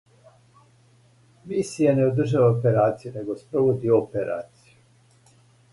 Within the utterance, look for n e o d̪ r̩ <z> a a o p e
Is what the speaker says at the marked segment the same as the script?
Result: no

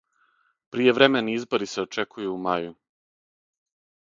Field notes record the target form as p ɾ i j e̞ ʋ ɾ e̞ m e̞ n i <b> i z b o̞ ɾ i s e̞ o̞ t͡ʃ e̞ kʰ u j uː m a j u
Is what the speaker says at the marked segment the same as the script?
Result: no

